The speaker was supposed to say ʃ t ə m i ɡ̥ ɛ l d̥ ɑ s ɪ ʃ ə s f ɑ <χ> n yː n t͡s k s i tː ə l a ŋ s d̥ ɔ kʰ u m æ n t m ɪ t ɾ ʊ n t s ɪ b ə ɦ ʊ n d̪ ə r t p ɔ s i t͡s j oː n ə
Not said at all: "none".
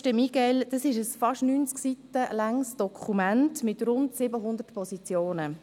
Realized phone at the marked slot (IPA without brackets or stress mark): ʃ